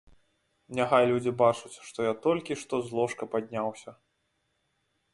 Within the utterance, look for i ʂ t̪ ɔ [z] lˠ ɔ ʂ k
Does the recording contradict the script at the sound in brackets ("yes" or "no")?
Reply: no